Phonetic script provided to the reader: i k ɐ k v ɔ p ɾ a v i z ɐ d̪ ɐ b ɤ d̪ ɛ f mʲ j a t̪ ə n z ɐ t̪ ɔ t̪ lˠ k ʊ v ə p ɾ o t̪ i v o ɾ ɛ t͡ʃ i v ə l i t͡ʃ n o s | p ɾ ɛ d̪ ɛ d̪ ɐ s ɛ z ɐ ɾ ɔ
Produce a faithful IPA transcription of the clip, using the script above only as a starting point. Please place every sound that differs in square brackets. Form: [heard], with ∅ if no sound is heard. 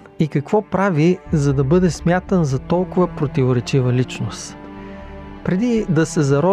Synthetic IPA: i k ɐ k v ɔ p ɾ a v i z ɐ d̪ ɐ b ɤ d̪ ɛ [s] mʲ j a t̪ ə n z ɐ t̪ ɔ [∅] lˠ k ʊ v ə p ɾ o t̪ i v o ɾ ɛ t͡ʃ i v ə l i t͡ʃ n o s | p ɾ ɛ d̪ [i] d̪ ɐ s ɛ z ɐ ɾ ɔ